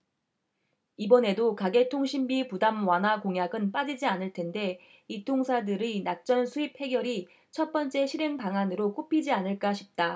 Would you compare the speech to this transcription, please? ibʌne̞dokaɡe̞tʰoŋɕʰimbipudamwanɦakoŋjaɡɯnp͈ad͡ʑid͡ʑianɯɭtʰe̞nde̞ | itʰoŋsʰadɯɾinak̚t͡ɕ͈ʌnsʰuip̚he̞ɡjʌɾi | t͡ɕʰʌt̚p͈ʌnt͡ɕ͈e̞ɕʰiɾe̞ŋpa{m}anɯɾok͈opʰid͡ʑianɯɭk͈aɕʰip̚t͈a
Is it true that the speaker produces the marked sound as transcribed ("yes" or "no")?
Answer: no